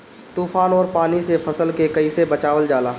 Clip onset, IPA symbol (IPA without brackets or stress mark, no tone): t̪